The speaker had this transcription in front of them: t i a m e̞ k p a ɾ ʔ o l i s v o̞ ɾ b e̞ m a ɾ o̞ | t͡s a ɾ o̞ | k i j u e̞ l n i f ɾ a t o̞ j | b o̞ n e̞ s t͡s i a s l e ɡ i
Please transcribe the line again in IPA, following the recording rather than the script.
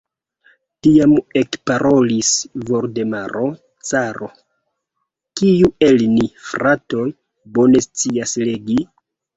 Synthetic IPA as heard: t i a m e̞ k p a ɾ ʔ o l i s v o̞ ɾ d e̞ m a ɾ o̞ | t͡s a ɾ o̞ | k i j u e̞ l n i f ɾ a t o̞ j | b o̞ n e̞ s t͡s i a s l e ɡ i